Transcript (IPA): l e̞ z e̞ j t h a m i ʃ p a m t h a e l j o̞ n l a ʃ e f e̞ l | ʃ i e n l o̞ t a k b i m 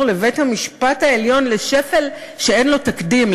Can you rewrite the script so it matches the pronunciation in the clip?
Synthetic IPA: l e̞ v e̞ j t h a m i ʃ p a t h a e l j o̞ n l e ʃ e f e̞ l | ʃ e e n l o̞ t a k d i m